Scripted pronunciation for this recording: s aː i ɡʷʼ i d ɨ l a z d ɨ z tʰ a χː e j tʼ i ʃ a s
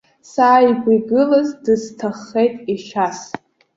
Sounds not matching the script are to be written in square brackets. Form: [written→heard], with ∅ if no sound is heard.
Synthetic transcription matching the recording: s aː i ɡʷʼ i [d→ɡ] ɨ l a z d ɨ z tʰ a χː e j tʼ i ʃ a s